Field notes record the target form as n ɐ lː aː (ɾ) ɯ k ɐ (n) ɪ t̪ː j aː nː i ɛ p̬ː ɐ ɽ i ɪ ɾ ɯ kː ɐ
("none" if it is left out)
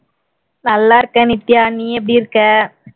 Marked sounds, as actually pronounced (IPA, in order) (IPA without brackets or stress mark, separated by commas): ɾ, n